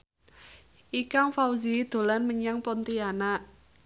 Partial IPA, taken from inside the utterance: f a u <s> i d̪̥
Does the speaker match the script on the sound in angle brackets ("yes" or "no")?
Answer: no